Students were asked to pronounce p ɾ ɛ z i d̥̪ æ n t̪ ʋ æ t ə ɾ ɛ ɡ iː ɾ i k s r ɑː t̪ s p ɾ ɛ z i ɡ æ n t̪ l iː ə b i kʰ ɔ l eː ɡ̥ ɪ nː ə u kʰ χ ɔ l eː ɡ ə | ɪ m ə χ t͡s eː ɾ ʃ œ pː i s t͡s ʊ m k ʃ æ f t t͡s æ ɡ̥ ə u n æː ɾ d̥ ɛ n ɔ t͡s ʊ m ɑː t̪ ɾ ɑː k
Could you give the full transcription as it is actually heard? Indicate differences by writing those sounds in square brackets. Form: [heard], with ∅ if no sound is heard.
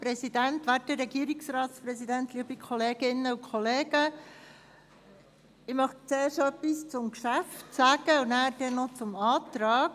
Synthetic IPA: p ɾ ɛ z i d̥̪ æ n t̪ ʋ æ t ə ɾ ɛ ɡ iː ɾ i k s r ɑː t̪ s p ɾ ɛ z i [d] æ n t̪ l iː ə b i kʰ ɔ l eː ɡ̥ ɪ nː ə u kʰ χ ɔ l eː ɡ ə | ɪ m [ɑ] χ t͡s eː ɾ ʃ œ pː i s t͡s ʊ m k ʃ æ f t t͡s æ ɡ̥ ə u n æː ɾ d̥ ɛ n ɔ t͡s ʊ m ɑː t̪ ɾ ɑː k